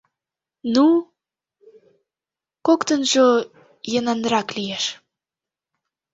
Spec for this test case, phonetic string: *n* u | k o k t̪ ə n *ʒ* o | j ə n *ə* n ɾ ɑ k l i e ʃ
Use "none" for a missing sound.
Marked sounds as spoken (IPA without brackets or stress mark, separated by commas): n, ʒ, ɑ